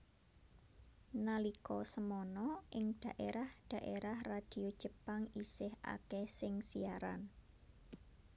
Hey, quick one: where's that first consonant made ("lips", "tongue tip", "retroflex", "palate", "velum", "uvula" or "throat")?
tongue tip